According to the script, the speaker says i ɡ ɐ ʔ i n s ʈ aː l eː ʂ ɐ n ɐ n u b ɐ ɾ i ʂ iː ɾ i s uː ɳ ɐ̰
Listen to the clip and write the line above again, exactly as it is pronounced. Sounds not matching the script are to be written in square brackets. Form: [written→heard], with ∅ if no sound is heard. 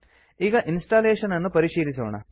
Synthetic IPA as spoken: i ɡ ɐ ʔ i n s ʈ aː l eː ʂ ɐ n ɐ [n→nː] u [b→p] ɐ ɾ i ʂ iː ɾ i s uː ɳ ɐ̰

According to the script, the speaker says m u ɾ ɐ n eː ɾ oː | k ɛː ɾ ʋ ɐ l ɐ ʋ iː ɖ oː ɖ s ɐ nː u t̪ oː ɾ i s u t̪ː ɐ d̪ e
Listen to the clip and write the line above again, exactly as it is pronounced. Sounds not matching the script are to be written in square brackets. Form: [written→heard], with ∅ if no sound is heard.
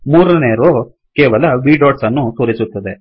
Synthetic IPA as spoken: m [u→uː] ɾ ɐ n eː ɾ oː | k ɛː [ɾ→∅] ʋ ɐ l ɐ ʋ iː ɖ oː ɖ s ɐ nː u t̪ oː ɾ i s u t̪ː ɐ d̪ e

